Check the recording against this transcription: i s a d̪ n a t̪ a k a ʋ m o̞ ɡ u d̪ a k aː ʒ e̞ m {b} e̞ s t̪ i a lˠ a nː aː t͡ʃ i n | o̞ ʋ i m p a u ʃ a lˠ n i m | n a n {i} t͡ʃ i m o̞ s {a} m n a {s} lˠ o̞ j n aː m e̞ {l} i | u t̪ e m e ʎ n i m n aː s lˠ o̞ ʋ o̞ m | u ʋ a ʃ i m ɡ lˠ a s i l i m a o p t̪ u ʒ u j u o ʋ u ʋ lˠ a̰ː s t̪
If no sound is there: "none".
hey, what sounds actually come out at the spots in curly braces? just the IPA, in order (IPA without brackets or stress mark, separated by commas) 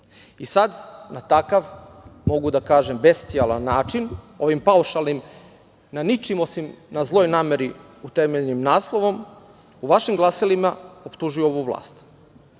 b, i, i, z, ɾ